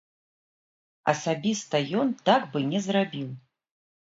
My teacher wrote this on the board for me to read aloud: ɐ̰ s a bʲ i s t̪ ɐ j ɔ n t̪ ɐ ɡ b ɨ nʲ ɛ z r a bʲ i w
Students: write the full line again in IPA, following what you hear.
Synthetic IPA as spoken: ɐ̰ s a bʲ i s t̪ ɐ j ɔ n t̪ a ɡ b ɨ nʲ ɛ z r a bʲ i w